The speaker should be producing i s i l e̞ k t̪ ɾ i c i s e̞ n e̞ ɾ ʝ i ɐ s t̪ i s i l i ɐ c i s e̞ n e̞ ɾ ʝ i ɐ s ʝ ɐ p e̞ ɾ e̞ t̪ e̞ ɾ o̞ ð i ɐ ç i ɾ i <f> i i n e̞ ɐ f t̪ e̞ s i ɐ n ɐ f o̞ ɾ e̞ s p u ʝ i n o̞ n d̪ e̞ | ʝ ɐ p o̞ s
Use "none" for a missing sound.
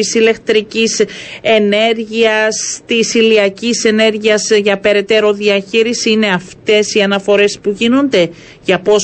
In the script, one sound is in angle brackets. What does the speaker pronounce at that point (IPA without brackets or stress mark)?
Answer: s